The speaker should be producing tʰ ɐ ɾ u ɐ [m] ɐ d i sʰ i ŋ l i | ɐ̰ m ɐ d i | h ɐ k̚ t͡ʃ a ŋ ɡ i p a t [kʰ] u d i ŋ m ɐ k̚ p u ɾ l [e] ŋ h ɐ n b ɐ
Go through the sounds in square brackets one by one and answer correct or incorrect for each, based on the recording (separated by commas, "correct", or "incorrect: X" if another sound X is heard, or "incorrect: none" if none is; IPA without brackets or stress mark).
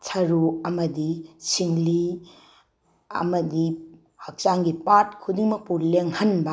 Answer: correct, correct, correct